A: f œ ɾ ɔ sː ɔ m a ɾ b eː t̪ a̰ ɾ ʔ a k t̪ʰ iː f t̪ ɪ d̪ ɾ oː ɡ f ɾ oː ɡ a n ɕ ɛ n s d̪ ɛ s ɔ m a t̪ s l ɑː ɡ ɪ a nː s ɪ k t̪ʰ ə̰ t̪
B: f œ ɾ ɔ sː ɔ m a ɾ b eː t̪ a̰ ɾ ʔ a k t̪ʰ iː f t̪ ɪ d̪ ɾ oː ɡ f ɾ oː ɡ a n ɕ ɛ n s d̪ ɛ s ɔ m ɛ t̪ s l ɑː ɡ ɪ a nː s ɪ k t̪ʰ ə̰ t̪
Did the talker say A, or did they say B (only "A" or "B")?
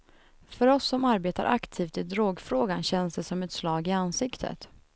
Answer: B